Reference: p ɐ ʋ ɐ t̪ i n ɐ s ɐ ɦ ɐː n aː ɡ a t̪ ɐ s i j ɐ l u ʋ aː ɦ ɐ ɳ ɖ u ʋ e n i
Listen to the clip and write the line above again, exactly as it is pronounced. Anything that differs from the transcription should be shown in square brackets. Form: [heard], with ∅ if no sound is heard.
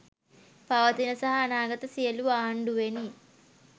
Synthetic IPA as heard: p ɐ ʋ ɐ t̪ i n ɐ s ɐ ɦ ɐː n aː ɡ [ɐ] t̪ ɐ s i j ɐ l u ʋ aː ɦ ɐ ɳ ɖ u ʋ e n i